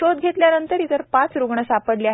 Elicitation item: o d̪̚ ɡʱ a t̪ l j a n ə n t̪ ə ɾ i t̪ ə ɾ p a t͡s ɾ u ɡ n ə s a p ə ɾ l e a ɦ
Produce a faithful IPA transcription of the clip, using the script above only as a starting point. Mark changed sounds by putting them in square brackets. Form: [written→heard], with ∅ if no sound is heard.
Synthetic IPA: o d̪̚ ɡʱ [a→e] t̪ l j a n ə n t̪ ə ɾ i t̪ ə ɾ p a t͡s ɾ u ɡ [n→ɳ] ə s a p ə [ɾ→ɽ] l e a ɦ